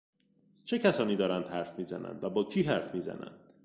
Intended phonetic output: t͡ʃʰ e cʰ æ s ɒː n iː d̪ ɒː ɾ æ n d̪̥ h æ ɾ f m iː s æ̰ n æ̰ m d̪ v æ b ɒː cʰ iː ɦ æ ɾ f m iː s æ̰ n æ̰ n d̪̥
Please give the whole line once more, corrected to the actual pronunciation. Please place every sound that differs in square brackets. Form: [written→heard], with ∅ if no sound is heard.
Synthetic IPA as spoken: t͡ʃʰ e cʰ æ s ɒː n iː d̪ ɒː ɾ æ n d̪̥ h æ ɾ f m iː [s→z] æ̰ n æ̰ [m→n] d̪ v æ b ɒː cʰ iː ɦ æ ɾ f m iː [s→z] æ̰ n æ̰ n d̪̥